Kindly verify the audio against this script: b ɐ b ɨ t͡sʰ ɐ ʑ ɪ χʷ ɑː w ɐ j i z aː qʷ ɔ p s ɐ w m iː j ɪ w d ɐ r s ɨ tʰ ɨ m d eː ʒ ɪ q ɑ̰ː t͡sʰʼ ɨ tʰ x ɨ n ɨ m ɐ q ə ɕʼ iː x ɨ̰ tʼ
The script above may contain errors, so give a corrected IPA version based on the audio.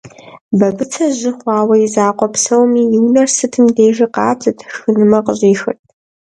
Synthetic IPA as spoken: b ɐ b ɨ t͡sʰ ɐ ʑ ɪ χʷ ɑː w ɐ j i z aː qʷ ɔ p s ɐ w m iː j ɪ w n ɐ r s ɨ tʰ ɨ m d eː ʒ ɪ q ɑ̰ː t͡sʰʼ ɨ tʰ x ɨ n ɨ m ɐ q ə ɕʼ iː x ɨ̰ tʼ